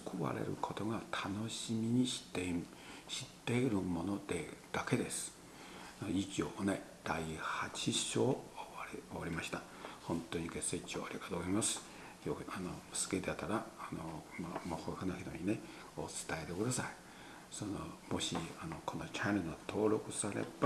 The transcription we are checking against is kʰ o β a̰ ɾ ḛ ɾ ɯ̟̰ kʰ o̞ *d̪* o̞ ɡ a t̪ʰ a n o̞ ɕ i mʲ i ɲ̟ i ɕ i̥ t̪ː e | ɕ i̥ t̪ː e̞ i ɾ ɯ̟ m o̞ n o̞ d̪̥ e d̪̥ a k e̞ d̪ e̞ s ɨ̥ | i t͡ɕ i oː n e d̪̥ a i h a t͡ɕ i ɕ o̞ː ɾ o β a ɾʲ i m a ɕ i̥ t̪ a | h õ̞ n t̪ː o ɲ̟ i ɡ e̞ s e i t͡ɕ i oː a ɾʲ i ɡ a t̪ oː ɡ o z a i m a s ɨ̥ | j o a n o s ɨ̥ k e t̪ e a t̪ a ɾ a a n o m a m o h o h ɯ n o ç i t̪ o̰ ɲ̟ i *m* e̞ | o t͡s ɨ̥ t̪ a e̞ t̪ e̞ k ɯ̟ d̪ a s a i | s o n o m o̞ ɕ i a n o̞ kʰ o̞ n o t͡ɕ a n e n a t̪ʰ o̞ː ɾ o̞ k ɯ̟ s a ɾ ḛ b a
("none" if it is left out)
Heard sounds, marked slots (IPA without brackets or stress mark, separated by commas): t̪, n